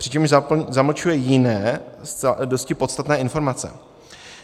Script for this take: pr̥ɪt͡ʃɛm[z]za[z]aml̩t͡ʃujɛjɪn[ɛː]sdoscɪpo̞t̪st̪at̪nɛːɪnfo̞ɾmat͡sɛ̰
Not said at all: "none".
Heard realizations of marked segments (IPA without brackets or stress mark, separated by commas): ʒ, z, ɛː